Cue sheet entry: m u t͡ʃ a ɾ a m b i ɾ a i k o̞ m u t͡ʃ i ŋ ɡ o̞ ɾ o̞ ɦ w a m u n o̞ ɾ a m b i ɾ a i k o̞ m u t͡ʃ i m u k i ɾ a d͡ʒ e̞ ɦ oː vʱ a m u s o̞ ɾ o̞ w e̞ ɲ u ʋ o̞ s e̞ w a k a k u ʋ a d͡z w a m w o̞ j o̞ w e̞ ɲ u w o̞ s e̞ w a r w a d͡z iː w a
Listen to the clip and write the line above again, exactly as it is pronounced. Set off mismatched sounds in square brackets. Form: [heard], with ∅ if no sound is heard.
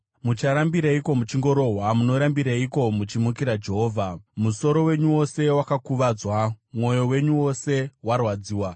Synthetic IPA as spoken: m u t͡ʃ a ɾ a m b i ɾ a i k o̞ m u t͡ʃ i ŋ ɡ o̞ ɾ o̞ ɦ w a m u n o̞ ɾ a m b i ɾ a i k o̞ m u t͡ʃ i m u k i ɾ a d͡ʒ e̞ ɦ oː vʱ a m u s o̞ ɾ o̞ w e̞ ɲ u [w] o̞ s e̞ w a k a k u ʋ a d͡z w a m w o̞ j o̞ w e̞ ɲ u w o̞ s e̞ w a r w a d͡z iː w a